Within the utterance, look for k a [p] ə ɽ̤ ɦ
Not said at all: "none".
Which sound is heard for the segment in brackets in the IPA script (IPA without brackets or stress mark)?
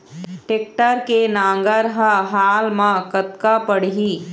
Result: p